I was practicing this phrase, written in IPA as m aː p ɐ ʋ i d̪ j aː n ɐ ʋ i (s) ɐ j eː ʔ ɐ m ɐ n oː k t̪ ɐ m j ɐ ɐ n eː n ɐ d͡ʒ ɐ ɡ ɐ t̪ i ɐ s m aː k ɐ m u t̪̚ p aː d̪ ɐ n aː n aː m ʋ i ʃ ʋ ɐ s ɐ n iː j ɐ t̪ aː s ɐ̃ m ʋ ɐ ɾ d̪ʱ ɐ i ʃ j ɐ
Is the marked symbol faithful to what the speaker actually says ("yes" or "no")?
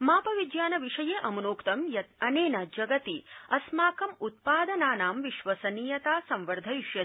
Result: no